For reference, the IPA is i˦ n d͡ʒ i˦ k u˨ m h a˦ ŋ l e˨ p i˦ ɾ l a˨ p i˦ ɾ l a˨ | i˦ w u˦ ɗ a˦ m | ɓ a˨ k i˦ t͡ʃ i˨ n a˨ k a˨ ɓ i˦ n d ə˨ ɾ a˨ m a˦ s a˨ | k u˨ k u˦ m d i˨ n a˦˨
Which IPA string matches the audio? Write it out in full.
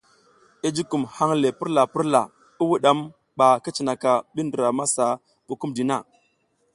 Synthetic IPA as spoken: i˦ d͡ʒ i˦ k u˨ m h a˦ ŋ l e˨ p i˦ ɾ l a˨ p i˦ ɾ l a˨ | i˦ w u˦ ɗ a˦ m | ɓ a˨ k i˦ t͡ʃ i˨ n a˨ k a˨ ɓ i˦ n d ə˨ ɾ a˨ m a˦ s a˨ | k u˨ k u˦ m d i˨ n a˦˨